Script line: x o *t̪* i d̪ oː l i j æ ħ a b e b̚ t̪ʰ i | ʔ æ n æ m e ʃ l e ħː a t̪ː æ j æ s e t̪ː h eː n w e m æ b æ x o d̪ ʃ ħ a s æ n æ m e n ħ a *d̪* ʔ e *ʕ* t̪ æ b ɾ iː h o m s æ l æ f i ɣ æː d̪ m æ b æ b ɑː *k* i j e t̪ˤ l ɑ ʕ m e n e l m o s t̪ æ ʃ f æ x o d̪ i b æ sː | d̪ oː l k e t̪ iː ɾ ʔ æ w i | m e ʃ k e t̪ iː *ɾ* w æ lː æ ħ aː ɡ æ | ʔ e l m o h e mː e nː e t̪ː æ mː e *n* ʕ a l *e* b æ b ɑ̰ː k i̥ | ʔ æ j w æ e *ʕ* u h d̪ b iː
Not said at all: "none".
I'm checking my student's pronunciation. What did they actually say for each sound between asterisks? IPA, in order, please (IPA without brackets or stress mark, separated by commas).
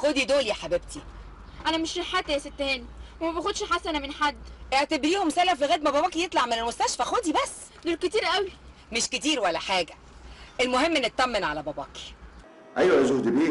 d̪, d̪ː, ʕ, k, ɾ, n, æ, z